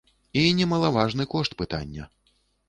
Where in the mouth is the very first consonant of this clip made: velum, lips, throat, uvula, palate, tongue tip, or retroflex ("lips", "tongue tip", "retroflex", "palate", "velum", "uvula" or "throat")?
tongue tip